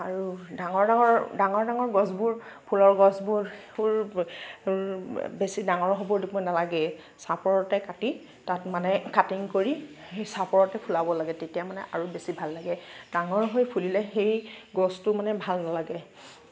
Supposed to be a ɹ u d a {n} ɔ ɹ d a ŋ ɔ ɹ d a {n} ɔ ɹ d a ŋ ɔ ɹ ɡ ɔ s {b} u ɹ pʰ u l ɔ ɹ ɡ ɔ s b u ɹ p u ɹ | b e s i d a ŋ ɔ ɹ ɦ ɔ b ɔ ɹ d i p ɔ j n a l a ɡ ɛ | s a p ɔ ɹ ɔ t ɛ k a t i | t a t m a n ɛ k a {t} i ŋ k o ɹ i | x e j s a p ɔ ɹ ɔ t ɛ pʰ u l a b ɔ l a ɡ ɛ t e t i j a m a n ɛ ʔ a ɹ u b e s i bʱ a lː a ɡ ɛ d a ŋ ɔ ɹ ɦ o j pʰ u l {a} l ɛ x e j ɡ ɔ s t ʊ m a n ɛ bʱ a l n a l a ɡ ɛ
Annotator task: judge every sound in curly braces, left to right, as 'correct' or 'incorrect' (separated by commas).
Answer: incorrect, incorrect, correct, correct, incorrect